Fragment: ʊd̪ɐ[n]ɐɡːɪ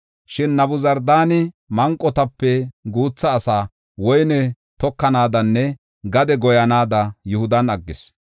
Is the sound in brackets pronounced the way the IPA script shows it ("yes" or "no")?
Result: yes